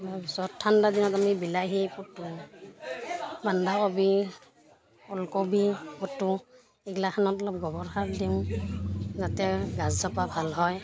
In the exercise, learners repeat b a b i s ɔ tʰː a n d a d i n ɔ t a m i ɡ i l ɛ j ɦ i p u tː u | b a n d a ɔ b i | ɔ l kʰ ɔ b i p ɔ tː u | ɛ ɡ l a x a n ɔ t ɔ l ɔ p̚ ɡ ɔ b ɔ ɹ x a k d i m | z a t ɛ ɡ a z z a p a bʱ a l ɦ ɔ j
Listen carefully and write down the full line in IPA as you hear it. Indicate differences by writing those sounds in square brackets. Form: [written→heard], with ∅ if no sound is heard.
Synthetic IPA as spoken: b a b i s ɔ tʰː a n d a d i n ɔ t a m i [ɡ→b] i l [ɛ→a] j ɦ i p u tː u | b a n d a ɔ b i | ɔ l [kʰ→k] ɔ b i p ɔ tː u | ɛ ɡ l a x a n ɔ t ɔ l ɔ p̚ ɡ ɔ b ɔ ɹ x a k d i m | z a t ɛ ɡ a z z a p a bʱ a l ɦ ɔ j